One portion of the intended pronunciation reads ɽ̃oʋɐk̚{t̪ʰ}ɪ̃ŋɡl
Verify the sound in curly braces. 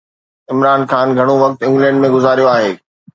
incorrect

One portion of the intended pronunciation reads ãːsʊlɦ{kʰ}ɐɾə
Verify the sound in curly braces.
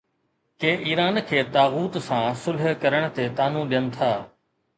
incorrect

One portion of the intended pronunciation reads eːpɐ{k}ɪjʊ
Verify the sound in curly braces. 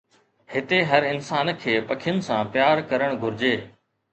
incorrect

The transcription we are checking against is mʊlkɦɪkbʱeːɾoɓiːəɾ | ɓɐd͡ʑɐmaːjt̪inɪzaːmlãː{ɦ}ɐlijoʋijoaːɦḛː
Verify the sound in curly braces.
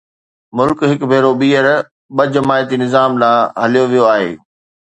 correct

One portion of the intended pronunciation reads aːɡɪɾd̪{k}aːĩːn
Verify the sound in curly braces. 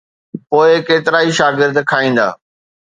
incorrect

